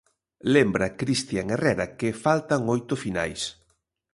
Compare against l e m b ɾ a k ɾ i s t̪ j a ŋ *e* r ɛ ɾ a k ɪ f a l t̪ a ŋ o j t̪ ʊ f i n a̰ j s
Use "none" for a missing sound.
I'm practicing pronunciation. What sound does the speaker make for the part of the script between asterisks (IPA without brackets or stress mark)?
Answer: e